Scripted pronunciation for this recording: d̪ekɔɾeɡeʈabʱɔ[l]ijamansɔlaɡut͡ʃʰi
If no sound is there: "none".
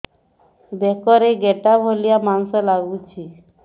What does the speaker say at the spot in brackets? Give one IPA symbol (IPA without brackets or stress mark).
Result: l